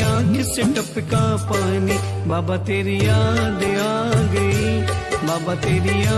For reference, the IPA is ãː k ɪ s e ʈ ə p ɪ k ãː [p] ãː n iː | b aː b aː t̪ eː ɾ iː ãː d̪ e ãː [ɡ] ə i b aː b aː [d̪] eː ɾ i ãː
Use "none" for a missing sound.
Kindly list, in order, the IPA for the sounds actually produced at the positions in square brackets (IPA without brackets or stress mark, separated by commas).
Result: p, ɡ, t̪